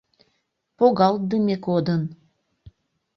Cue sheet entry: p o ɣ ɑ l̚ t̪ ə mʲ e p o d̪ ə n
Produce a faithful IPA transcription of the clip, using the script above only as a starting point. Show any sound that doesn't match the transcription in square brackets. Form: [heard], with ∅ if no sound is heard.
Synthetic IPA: p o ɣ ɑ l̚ [d̪] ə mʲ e [k] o d̪ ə n